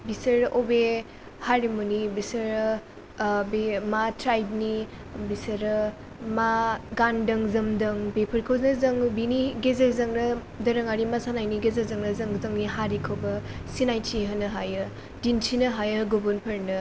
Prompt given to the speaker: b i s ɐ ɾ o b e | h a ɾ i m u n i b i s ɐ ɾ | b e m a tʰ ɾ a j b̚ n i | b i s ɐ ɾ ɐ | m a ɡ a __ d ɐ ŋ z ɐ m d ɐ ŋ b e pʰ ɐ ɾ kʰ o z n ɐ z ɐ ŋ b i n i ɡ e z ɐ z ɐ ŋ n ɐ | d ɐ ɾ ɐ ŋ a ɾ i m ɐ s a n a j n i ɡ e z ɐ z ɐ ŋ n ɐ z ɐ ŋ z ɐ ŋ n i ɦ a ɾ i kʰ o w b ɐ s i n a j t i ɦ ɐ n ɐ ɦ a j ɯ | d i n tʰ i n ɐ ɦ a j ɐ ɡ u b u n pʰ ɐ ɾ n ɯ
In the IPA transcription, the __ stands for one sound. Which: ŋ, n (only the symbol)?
n